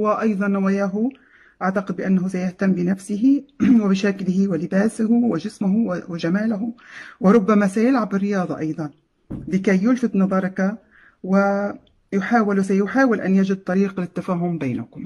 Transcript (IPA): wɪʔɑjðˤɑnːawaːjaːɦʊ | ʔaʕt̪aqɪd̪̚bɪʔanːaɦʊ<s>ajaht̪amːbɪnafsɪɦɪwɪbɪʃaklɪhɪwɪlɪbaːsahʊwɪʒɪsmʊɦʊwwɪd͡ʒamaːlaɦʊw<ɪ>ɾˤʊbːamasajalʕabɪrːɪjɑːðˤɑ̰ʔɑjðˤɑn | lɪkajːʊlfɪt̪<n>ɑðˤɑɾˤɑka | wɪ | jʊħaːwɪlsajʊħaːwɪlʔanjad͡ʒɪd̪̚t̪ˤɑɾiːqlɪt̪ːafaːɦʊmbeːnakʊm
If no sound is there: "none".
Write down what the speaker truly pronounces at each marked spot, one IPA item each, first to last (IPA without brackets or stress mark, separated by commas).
s, ɪ, n